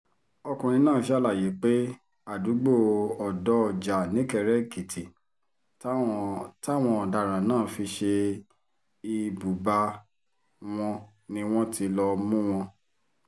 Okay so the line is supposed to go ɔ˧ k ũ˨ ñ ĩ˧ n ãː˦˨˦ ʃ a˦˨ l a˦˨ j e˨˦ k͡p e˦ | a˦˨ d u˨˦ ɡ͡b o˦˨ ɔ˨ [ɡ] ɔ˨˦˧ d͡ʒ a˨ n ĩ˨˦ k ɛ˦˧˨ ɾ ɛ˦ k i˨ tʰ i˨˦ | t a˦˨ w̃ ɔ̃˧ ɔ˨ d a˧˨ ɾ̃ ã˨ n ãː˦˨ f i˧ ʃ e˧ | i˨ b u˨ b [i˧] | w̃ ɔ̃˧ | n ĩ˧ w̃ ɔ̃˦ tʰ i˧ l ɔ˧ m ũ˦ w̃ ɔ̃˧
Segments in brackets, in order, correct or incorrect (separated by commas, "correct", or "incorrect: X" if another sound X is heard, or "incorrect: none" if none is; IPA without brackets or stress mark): incorrect: d, incorrect: a˧